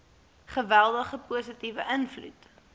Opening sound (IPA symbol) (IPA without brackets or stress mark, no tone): χ